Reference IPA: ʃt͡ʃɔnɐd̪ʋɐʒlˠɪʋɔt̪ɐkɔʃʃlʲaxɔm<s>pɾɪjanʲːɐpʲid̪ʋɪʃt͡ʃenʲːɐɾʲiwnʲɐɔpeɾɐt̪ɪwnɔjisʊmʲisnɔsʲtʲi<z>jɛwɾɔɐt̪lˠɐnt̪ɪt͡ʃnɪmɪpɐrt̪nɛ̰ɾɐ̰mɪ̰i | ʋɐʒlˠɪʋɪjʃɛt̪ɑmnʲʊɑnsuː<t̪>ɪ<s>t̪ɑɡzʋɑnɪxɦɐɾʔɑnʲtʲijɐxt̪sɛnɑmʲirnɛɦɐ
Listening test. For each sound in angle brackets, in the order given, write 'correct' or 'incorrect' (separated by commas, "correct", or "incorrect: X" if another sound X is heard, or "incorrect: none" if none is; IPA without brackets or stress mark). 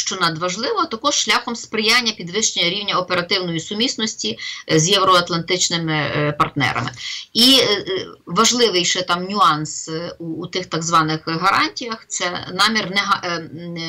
correct, correct, correct, incorrect: x